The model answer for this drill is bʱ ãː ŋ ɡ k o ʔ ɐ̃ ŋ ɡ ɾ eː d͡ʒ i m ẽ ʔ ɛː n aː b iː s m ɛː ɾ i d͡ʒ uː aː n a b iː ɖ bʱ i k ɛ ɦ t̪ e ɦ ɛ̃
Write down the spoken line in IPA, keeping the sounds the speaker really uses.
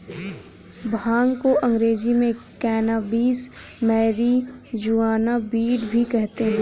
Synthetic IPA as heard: bʱ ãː ŋ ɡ k o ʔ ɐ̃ ŋ ɡ ɾ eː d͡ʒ i m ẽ k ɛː n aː b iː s m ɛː ɾ i d͡ʒ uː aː n a b iː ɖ bʱ i k ɛ ɦ t̪ e ɦ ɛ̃